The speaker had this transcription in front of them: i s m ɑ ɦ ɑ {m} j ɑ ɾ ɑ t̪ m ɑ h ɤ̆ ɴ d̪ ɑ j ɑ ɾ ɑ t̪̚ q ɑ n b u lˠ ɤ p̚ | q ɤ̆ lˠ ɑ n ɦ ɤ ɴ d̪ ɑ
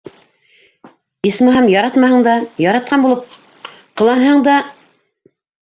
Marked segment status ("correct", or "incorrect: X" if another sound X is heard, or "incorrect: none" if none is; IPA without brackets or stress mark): correct